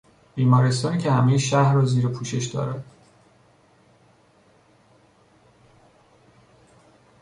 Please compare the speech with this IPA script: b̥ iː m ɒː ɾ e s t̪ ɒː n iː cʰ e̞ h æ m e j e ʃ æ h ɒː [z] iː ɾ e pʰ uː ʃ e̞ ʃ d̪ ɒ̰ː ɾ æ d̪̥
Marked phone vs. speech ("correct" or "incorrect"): correct